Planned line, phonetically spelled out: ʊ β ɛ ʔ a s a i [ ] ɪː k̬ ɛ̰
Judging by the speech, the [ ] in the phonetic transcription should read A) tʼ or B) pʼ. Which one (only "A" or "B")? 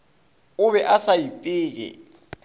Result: B